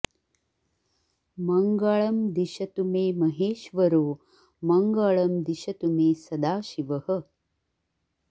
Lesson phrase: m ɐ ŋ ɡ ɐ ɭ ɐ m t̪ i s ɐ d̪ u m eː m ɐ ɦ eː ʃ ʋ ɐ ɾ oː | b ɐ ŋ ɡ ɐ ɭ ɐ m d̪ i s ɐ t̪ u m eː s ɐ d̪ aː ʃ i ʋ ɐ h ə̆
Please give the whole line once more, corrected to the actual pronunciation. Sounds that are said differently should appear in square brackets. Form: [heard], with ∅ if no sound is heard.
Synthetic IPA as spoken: m ɐ ŋ ɡ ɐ ɭ ɐ m [d̪] i [ʃ] ɐ [t̪] u m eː m ɐ ɦ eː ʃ ʋ ɐ ɾ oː | [m] ɐ ŋ ɡ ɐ ɭ ɐ m d̪ i [ʃ] ɐ t̪ u m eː s ɐ d̪ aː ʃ i ʋ ɐ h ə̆